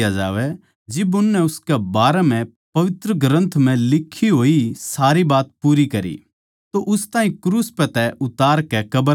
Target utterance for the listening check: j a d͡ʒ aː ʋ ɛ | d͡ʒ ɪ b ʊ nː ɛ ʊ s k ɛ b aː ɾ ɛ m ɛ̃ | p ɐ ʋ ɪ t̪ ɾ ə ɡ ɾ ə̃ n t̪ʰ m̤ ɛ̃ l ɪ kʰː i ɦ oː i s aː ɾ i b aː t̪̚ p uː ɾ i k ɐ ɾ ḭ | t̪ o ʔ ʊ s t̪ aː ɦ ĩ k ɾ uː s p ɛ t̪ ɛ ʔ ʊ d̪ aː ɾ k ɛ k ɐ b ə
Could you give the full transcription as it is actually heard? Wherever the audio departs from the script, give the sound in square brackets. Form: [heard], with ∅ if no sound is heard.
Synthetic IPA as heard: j a d͡ʒ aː ʋ ɛ | d͡ʒ ɪ b ʊ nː ɛ ʊ s k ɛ b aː ɾ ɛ m ɛ̃ | p ɐ ʋ ɪ t̪ ɾ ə ɡ ɾ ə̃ n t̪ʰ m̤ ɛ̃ l ɪ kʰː i ɦ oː i s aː ɾ i b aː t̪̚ p uː ɾ i k ɐ ɾ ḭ | t̪ o ʔ ʊ s t̪ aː ɦ ĩ k ɾ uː s p ɛ t̪ ɛ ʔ ʊ [t̪] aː ɾ k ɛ k ɐ b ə